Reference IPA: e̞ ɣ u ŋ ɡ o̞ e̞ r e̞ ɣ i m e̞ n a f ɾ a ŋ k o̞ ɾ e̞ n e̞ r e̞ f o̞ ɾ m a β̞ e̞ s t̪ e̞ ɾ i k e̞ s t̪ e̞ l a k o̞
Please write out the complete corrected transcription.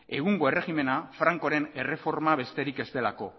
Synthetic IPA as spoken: e̞ ɣ u ŋ ɡ o̞ e̞ r e̞ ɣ i m e̞ n a f ɾ a ŋ k o̞ ɾ e̞ n e̞ r e̞ f o̞ ɾ m a β̞ e̞ s t̪ e̞ ɾ i k e̞ s t̪ e̞ l a k o̞

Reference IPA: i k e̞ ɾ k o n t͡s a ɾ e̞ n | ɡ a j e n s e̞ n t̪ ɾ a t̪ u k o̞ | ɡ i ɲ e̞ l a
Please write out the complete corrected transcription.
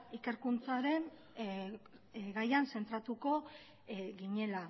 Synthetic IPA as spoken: i k e̞ ɾ k u n t͡s a ɾ e̞ n | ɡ a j a n s e̞ n t̪ ɾ a t̪ u k o̞ | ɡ i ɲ e̞ l a

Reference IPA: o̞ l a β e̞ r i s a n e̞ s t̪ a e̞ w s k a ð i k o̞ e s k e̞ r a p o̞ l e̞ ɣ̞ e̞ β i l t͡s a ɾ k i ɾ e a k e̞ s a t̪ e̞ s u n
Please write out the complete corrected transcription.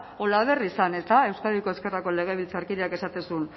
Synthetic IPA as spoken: o̞ l a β e̞ r i s a n e̞ s t̪ a e̞ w s k a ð i k o̞ e s k e̞ r a k o̞ l e̞ ɣ̞ e̞ β i l t͡s a ɾ k i ɾ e a k e̞ s a t̪ e̞ s u n

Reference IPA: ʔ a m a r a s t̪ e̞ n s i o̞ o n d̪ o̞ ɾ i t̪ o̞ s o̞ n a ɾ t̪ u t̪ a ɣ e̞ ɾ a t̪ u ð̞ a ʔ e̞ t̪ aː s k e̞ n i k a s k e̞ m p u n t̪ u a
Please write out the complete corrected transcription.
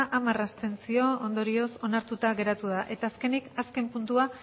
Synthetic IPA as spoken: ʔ a m a r a s t̪ e̞ n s i o̞ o n d̪ o̞ ɾ i o̞ s o̞ n a ɾ t̪ u t̪ a ɣ e̞ ɾ a t̪ u ð̞ a ʔ e̞ t̪ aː s k e̞ n i k a s k e̞ m p u n t̪ u a

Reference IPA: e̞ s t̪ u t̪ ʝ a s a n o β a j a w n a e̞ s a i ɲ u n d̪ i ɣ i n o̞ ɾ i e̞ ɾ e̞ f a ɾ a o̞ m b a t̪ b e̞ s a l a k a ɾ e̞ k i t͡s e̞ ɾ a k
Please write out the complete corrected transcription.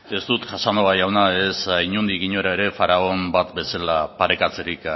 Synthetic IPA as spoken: e̞ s t̪ u t̪ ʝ a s a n o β a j a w n a e̞ s a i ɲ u n d̪ i ɣ i ɲ o̞ ɾ a e̞ ɾ e̞ f a ɾ a o̞ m b a t̪ b e̞ s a l a p a ɾ e̞ k a t͡s e̞ ɾ i k

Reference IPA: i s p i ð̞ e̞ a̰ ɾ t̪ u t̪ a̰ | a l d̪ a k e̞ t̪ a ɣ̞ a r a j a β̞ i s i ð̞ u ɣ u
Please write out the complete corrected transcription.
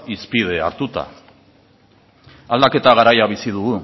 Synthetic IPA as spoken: i s p i ð̞ e̞ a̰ ɾ t̪ u t̪ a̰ | a l d̪ a k e̞ t̪ a ɣ̞ a ɾ a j a β̞ i s i ð̞ u ɣ u

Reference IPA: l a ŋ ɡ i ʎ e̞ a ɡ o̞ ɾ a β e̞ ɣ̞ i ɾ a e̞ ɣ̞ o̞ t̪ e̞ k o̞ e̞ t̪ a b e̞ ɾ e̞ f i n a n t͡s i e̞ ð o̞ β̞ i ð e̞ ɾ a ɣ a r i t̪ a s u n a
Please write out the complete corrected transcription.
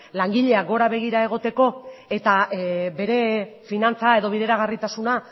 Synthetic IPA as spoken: l a ŋ ɡ i ʎ e̞ a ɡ o̞ ɾ a β e̞ ɣ̞ i ɾ a e̞ ɣ̞ o̞ t̪ e̞ k o̞ e̞ t̪ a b e̞ ɾ e̞ f i n a n t͡s a e̞ ð o̞ β̞ i ð e̞ ɾ a ɣ a r i t̪ a s u n a

